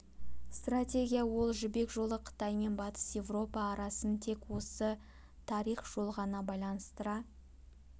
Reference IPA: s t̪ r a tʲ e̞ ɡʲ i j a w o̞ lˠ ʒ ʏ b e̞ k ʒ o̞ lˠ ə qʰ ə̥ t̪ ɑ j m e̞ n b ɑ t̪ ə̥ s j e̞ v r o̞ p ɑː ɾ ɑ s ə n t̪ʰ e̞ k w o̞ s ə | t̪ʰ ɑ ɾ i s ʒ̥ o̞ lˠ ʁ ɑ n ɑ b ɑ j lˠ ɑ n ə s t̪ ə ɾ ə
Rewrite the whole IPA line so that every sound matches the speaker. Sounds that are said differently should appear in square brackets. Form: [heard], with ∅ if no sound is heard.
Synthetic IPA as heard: s t̪ r a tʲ e̞ ɡʲ i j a w o̞ lˠ ʒ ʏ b e̞ k ʒ o̞ lˠ ə qʰ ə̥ t̪ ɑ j m e̞ n b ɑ t̪ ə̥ s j e̞ v r o̞ p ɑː ɾ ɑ s ə n t̪ʰ e̞ k w o̞ s ə | t̪ʰ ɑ ɾ i [χ] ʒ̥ o̞ lˠ ʁ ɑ n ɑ b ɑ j lˠ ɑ n ə s t̪ ə ɾ [ɑ]

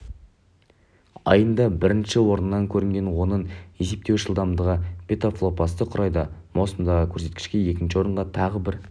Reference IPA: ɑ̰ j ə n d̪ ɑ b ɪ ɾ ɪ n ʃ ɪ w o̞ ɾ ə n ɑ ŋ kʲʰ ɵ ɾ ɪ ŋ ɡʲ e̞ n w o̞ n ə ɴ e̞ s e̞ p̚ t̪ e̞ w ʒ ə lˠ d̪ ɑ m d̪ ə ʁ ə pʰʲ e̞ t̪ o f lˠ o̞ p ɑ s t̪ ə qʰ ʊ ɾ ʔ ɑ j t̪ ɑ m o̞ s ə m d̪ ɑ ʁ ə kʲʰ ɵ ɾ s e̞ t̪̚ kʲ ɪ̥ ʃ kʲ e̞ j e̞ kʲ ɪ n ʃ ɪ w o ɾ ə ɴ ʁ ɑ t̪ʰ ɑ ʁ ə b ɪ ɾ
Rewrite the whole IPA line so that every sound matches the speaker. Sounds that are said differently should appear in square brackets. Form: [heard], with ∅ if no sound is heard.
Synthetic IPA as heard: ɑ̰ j ə n d̪ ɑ b ɪ ɾ ɪ n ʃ ɪ w o̞ ɾ ə [nː] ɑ ŋ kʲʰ ɵ ɾ ɪ ŋ ɡʲ e̞ n w o̞ n ə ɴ e̞ s e̞ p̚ t̪ e̞ w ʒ ə lˠ d̪ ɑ m d̪ ə ʁ ə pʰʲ e̞ t̪ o f lˠ o̞ p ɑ s t̪ ə qʰ ʊ ɾ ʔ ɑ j [d̪] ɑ m o̞ s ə m d̪ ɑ ʁ ə kʲʰ ɵ ɾ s e̞ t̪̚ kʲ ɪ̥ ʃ kʲ e̞ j e̞ kʲ ɪ n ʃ ɪ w o ɾ ə ɴ ʁ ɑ t̪ʰ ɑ ʁ ə b ɪ ɾ

